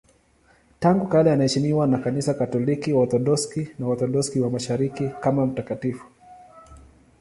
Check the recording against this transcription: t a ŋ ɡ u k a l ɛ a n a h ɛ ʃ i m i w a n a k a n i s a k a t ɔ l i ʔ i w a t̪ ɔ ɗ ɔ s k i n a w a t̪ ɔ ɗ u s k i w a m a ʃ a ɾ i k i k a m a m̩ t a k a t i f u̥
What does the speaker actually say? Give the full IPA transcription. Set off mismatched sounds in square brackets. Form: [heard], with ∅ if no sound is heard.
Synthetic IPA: t a ŋ ɡ u k a l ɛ a n a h ɛ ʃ i m i w a n a k a n i s a k a t ɔ l i [k] i w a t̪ ɔ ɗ ɔ s k i n a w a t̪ ɔ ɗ [ɔ] s k i w a m a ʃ a ɾ i k i k a m a m̩ t a k a t i f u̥